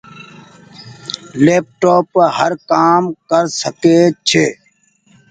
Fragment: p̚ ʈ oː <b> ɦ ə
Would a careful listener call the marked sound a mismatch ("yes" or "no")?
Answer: yes